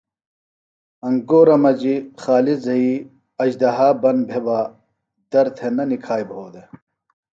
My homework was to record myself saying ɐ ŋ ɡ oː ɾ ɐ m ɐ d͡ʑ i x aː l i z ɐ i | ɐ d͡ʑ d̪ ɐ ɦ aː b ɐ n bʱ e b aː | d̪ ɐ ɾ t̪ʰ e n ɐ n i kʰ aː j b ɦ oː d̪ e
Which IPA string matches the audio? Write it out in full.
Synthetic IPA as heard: ɐ ŋ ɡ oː ɾ ɐ m ɐ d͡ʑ i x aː l i z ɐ i | ɐ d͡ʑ d̪ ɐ ɦ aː b ɐ n bʱ e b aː | d̪ ɐ ɾ t̪ʰ e n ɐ n i kʰ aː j b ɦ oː d̪ e